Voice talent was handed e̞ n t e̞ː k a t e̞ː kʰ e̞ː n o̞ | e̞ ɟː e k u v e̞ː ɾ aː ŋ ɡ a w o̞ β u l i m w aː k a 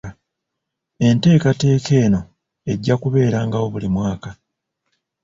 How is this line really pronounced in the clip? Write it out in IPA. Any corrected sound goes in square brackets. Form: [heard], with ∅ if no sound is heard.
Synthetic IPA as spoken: e̞ n t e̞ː k a t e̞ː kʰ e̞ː n o̞ | e̞ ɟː [a] k u [β] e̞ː ɾ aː ŋ ɡ a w o̞ β u l i m w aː k a